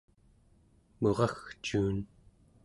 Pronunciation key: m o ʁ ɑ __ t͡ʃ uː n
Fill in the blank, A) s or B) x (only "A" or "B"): B